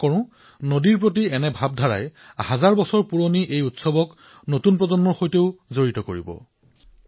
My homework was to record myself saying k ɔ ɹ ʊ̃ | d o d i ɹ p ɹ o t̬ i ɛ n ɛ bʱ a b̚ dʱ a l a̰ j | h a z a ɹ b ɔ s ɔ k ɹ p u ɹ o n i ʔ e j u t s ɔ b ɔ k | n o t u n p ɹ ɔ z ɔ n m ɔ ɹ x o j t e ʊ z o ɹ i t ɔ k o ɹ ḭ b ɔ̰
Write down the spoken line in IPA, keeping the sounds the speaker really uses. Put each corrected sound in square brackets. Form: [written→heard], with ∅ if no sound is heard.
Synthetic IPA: k ɔ ɹ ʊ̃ | [d→n] o d i ɹ p ɹ o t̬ i ɛ n ɛ bʱ a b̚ dʱ a [l→ɹ] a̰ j | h a z a ɹ b ɔ s ɔ [k→∅] ɹ p u ɹ o n i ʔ e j u t s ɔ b ɔ k | n o t u n p ɹ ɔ z ɔ n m ɔ ɹ x o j t e ʊ z o ɹ i t ɔ k o ɹ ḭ b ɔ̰